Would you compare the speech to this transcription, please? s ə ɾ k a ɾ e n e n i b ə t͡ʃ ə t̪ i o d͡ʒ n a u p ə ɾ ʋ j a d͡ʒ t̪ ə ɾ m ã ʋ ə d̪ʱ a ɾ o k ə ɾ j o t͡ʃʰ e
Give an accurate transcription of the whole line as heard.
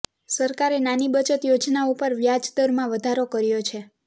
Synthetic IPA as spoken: s ə ɾ k a ɾ e n a n i b ə t͡ʃ ə t̪ j o d͡ʒ n a u p ə ɾ ʋ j a d͡ʒ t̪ ə ɾ m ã ʋ ə d̪ʱ a ɾ o k ə ɾ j o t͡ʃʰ e